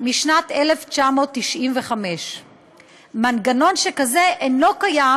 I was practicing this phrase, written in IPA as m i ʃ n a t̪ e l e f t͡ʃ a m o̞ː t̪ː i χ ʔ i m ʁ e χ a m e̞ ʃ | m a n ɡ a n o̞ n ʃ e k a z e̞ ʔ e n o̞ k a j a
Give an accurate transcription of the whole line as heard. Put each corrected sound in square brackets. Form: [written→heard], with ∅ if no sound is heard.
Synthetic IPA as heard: m i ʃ n a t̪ e l e f t͡ʃ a m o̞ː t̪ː i [χ→ʃ] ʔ i m [ʁ→v] e χ a m e̞ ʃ | m a n ɡ a n o̞ n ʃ e k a z e̞ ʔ e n o̞ k a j a